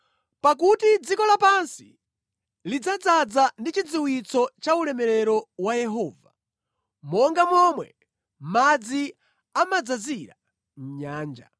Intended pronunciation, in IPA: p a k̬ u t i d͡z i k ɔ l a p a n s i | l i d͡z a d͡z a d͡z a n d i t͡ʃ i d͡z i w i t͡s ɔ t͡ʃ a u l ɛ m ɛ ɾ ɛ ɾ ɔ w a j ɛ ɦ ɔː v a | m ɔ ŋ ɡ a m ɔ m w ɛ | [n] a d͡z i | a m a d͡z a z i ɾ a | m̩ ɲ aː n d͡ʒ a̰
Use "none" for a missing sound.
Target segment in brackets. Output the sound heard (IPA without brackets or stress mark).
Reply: m